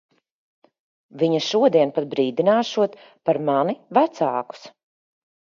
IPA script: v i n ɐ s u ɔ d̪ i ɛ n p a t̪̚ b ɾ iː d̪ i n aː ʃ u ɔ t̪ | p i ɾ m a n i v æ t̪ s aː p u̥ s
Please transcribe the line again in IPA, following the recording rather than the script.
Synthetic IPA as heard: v i ɲ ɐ ʃ u ɔ d̪ i ɛ n p a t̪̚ b ɾ iː d̪ i n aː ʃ u ɔ t̪ | p a ɾ m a n i v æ t̪ s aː k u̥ s